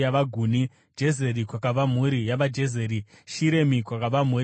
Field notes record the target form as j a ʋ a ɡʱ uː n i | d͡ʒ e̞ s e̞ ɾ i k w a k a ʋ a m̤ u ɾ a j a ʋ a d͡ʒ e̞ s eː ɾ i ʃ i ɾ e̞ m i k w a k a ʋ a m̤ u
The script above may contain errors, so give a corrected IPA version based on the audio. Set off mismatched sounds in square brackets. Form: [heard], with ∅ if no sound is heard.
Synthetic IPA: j a ʋ a ɡʱ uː n i | d͡ʒ e̞ [z] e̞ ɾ i k w a k a ʋ a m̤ u ɾ [i] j a ʋ a d͡ʒ e̞ [z] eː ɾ i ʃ i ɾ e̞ m i k w a k a ʋ a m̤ u